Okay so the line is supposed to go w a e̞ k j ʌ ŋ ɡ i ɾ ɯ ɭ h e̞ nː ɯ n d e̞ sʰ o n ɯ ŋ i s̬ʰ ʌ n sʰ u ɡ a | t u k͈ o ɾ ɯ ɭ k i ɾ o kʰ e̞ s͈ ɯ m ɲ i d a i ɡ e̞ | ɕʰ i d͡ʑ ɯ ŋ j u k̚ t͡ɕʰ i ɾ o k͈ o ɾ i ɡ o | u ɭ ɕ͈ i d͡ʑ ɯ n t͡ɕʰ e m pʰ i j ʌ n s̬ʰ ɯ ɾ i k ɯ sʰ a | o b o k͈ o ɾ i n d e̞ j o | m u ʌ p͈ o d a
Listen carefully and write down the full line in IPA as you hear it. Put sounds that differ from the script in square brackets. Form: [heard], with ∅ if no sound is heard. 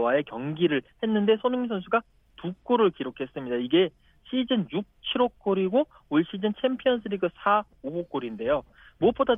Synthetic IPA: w a e̞ k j ʌ ŋ ɡ i ɾ ɯ ɭ h e̞ nː ɯ n d e̞ sʰ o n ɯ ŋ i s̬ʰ ʌ n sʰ u ɡ a | t u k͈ o ɾ ɯ ɭ k i ɾ o kʰ e̞ s͈ ɯ m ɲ i d a i ɡ e̞ | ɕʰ i d͡ʑ ɯ [n] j u k̚ t͡ɕʰ i ɾ o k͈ o ɾ i ɡ o | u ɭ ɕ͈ i d͡ʑ ɯ n t͡ɕʰ e m pʰ i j ʌ n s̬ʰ ɯ ɾ i [ɡ] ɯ sʰ a | o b o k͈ o ɾ i n d e̞ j o | m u ʌ p͈ o d a